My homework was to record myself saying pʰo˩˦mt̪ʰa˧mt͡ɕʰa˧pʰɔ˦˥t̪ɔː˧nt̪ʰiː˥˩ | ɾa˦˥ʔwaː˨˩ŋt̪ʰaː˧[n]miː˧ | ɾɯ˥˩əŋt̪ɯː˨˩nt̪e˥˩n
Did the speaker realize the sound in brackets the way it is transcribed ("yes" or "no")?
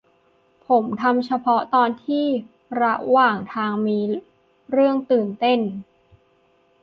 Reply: no